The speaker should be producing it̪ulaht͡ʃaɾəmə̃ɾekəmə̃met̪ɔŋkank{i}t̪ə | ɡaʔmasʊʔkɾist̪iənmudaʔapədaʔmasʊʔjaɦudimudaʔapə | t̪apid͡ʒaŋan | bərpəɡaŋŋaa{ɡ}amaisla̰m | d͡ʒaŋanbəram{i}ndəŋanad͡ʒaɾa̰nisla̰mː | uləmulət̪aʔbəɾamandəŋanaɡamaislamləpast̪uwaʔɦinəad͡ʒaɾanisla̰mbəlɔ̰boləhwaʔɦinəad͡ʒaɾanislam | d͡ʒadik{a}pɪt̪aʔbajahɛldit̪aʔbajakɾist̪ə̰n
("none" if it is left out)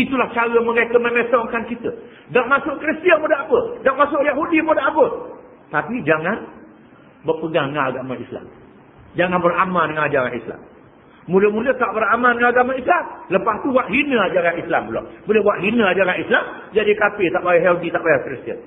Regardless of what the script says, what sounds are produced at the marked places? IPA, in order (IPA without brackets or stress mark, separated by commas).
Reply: i, ɡ, a, a